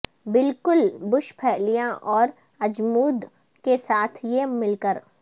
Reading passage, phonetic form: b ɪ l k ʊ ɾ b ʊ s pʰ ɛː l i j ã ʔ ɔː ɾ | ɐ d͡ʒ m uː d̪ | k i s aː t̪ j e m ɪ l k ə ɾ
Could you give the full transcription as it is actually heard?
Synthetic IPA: b ɪ l k ʊ l b ʊ ʃ pʰ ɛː l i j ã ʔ ɔː ɾ | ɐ d͡ʒ m uː d̪ | k e s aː t̪ʰ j e m ɪ l k ə ɾ